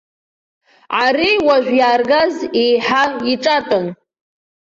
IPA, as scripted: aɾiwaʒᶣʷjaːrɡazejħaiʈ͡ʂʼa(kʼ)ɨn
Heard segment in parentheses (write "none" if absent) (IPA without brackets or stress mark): tʼ